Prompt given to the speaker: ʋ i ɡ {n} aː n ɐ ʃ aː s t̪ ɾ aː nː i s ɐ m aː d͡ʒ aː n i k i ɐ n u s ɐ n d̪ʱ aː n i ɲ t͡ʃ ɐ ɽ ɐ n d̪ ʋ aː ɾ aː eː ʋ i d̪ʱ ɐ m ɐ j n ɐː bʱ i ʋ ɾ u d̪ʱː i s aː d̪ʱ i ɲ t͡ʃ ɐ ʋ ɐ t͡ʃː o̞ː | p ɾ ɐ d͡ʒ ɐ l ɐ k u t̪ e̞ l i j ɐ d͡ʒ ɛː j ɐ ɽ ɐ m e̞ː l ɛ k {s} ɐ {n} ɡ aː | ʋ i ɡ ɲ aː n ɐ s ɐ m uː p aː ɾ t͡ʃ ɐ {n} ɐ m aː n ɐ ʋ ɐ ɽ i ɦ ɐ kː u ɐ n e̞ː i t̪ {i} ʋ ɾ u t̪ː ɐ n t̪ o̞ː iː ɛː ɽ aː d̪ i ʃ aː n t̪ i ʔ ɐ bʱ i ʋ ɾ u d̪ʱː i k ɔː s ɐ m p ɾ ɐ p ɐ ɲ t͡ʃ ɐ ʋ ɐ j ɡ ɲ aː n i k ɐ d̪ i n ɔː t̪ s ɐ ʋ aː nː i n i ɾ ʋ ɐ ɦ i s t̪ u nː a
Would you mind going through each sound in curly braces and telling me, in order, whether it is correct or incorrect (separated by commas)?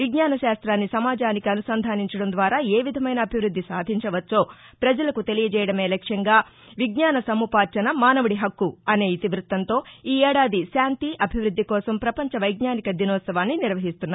incorrect, incorrect, incorrect, correct, correct